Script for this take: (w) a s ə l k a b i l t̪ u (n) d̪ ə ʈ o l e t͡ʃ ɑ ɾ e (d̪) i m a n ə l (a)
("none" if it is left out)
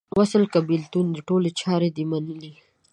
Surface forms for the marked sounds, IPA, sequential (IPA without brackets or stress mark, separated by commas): w, n, d̪, i